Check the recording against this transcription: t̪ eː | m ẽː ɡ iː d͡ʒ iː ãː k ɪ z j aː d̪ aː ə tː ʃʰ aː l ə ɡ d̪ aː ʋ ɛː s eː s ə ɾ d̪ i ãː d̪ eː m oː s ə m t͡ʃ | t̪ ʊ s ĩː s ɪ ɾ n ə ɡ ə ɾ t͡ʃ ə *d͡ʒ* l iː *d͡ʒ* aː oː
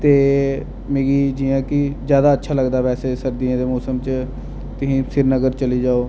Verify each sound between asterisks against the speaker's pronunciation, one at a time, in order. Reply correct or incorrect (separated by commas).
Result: incorrect, correct